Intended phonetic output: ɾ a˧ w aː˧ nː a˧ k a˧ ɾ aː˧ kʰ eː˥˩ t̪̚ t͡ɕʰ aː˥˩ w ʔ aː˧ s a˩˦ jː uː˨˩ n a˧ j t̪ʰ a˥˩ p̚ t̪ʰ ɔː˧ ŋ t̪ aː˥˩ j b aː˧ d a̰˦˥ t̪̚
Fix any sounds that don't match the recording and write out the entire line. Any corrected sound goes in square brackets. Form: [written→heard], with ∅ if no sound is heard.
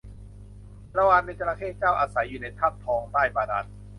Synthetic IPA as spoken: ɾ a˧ w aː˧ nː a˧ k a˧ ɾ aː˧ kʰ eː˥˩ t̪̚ [t͡ɕʰ→t͡ɕ] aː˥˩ w ʔ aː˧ s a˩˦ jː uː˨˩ n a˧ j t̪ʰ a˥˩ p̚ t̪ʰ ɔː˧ ŋ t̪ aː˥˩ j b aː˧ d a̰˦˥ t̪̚